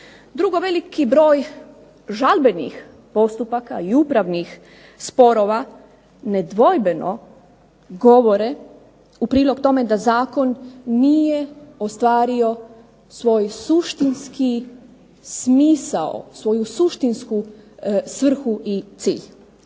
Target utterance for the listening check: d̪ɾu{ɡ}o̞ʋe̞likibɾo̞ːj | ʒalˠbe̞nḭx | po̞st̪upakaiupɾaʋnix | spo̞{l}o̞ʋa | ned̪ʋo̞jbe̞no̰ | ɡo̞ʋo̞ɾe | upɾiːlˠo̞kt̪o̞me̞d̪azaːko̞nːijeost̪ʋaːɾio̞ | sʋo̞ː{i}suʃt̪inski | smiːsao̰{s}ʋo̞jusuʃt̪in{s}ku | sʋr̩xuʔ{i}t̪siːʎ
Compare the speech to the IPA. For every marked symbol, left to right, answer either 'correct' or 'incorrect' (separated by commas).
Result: correct, incorrect, incorrect, correct, correct, correct